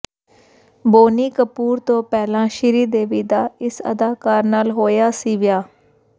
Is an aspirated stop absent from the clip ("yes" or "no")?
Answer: yes